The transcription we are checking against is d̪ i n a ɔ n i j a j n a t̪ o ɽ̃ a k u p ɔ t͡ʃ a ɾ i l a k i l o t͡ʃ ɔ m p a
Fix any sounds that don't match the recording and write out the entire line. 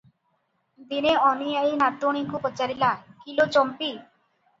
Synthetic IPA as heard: d̪ i n e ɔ n i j a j n a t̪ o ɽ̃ i k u p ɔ t͡ʃ a ɾ i l a k i l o t͡ʃ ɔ m p i